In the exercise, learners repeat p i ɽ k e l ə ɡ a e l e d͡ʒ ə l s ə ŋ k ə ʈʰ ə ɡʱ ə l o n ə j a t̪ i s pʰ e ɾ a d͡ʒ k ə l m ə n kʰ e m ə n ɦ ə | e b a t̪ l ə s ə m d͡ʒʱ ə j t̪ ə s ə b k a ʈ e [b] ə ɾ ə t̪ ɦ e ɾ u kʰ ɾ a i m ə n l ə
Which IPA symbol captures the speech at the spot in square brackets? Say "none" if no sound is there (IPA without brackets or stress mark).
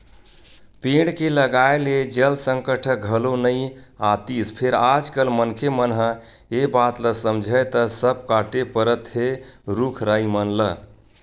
p